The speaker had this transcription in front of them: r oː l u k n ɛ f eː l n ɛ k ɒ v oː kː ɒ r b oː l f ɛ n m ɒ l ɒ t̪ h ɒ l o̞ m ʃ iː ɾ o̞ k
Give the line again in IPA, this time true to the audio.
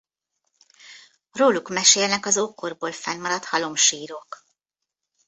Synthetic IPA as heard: r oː l u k m ɛ ʃ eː l n ɛ k ɒ z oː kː o r b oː l f ɛ n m ɒ ɾ ɒ t̪ h ɒ l o̞ m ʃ iː ɾ o̞ k